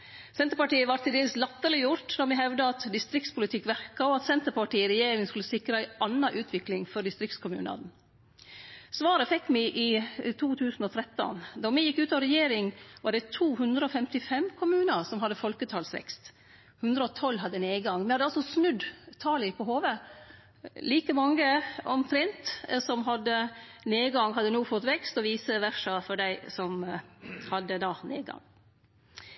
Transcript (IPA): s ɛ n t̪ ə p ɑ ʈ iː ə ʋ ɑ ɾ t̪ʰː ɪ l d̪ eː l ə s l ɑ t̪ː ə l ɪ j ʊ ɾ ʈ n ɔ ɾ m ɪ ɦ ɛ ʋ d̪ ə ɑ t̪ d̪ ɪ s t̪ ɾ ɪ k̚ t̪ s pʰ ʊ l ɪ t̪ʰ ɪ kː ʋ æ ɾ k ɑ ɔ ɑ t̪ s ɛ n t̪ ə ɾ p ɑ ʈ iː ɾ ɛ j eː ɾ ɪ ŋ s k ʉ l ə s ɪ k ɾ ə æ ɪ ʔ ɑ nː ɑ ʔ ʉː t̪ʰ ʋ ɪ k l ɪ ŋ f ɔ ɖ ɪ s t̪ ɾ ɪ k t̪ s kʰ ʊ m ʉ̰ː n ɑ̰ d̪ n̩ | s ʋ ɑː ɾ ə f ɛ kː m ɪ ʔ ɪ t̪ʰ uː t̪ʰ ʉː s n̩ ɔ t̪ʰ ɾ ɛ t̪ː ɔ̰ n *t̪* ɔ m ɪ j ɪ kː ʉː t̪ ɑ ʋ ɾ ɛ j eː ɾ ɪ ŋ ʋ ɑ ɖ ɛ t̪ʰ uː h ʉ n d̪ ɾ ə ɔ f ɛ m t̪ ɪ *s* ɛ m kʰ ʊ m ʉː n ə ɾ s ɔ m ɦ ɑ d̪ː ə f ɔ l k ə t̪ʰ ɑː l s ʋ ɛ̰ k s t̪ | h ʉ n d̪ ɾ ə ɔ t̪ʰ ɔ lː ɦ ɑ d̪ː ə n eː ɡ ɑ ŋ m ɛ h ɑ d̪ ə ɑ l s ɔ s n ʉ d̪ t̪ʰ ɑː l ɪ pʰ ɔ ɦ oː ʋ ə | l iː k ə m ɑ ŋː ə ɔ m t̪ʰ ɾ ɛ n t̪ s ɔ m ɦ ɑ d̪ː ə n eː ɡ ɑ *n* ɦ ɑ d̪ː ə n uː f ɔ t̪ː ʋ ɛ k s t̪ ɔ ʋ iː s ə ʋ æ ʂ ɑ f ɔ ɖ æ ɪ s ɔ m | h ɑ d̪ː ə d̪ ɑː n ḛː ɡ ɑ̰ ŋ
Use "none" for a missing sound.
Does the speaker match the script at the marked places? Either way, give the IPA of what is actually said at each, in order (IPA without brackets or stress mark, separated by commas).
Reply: d̪, f, ŋ